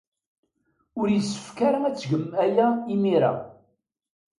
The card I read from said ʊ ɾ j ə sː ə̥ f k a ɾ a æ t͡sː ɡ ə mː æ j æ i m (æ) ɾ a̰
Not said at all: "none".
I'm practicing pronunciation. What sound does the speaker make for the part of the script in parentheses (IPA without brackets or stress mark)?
i